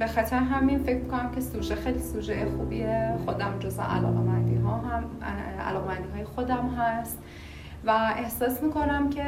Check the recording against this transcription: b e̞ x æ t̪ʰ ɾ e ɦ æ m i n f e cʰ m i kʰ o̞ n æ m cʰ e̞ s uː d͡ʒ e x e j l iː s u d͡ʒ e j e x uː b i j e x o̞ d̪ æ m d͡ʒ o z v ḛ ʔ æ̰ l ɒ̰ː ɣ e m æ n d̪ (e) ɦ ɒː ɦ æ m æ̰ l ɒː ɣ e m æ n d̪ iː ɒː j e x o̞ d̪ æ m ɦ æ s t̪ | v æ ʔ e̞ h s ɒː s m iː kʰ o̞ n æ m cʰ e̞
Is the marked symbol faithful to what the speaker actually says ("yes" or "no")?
no